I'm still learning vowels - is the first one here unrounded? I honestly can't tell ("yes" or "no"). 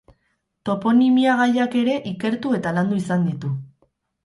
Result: no